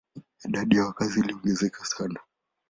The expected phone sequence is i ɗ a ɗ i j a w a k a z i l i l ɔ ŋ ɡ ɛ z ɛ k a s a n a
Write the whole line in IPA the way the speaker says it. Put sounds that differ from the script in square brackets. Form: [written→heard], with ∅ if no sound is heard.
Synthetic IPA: i ɗ a ɗ i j a w a k a z i l i [l→∅] ɔ ŋ ɡ ɛ z ɛ k a s a n a